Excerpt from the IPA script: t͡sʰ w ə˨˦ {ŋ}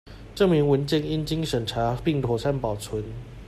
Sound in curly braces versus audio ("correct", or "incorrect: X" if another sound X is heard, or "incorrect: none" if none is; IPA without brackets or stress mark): incorrect: n